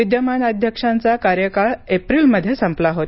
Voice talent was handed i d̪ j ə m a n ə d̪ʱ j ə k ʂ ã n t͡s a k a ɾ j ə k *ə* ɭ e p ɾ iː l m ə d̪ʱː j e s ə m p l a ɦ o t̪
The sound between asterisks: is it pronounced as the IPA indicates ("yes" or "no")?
no